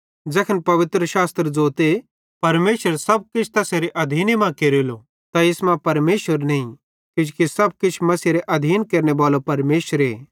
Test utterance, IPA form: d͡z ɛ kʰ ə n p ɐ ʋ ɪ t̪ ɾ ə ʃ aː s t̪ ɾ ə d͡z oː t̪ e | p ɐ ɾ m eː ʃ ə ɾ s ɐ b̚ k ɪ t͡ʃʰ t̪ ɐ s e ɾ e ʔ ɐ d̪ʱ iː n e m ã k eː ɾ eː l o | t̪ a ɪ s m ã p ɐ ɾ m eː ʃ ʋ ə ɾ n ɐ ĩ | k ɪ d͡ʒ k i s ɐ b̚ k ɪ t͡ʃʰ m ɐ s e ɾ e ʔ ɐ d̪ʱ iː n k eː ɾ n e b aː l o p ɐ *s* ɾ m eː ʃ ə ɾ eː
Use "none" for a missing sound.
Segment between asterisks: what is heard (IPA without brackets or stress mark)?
none